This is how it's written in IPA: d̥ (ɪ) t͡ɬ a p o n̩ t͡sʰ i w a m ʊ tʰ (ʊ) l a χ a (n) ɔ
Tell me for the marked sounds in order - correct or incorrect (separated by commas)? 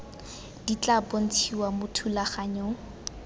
incorrect, incorrect, incorrect